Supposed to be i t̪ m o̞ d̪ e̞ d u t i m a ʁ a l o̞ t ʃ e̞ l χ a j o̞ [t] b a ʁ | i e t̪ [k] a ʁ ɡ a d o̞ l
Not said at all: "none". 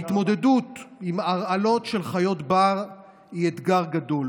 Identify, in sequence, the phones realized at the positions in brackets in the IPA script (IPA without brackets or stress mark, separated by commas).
t, ɡ